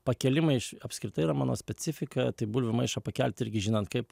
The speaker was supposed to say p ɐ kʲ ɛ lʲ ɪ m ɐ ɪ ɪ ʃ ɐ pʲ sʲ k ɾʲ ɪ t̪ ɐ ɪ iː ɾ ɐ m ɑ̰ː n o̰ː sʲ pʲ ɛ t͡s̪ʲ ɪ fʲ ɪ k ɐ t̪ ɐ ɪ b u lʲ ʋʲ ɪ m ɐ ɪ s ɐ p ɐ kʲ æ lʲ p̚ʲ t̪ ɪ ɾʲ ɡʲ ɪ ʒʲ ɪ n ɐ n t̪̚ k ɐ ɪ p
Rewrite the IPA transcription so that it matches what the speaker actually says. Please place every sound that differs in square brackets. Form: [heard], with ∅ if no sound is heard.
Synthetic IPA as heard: p ɐ kʲ ɛ lʲ ɪ m ɐ ɪ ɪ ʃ ɐ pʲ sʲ k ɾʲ ɪ t̪ ɐ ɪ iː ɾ ɐ m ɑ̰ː n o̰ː sʲ pʲ ɛ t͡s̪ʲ ɪ fʲ ɪ k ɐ t̪ ɐ ɪ b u lʲ ʋʲ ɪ m ɐ ɪ [ʃ] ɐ p ɐ kʲ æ lʲ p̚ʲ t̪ ɪ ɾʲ ɡʲ ɪ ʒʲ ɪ n ɐ n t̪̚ k ɐ ɪ p